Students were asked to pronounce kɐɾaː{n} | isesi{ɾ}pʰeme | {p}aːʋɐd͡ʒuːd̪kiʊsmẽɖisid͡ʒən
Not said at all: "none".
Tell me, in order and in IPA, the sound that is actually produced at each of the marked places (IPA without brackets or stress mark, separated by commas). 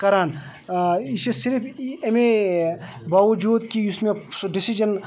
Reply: n, ɾ, b